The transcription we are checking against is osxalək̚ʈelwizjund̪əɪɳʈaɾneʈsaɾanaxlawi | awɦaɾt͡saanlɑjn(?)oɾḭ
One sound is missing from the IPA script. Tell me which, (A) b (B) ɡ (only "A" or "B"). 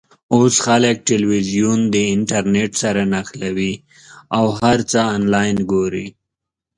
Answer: B